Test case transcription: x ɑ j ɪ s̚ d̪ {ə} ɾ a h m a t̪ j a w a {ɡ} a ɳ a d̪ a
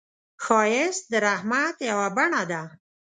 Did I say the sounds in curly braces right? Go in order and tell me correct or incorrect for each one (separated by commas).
correct, incorrect